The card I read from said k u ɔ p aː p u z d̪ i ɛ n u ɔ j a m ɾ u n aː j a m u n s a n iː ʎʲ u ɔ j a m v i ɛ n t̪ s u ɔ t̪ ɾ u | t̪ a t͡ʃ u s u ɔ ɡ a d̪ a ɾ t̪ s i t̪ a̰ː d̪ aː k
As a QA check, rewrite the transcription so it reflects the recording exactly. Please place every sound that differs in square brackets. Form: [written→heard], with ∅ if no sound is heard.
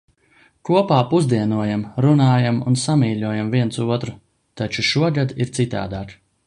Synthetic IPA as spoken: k u ɔ p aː p u z d̪ i ɛ n u ɔ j a m ɾ u n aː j a m u n s a [n→m] iː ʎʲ u ɔ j a m v i ɛ n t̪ s u ɔ t̪ ɾ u | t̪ a t͡ʃ u [s→ʃ] u ɔ ɡ a d̪ [a→i] ɾ t̪ s i t̪ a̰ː d̪ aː k